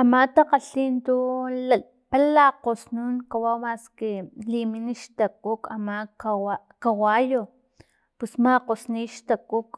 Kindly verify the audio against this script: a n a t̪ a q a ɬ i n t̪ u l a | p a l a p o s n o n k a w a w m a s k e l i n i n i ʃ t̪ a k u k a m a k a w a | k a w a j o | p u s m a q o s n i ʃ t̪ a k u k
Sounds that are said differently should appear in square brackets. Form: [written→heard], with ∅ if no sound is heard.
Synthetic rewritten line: a [n→m] a t̪ a q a ɬ i n t̪ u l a | p a l a [p→q] o s n [o→u] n k a w a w m a s k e l i [n→m] i n i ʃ t̪ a k u k a m a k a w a | k a w a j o | p u s m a q o s n i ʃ t̪ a k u k